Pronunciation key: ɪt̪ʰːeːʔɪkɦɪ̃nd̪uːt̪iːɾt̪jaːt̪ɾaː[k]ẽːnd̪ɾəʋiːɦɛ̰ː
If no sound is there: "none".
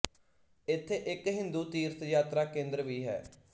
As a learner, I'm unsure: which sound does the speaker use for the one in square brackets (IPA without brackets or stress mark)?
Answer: k